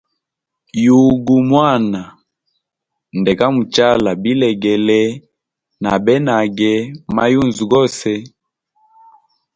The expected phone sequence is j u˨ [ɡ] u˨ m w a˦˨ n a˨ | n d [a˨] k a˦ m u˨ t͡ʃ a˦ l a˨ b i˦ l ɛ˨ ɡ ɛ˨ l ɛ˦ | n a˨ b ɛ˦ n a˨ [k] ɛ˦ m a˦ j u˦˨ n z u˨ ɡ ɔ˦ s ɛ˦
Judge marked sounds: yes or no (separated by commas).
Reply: yes, no, no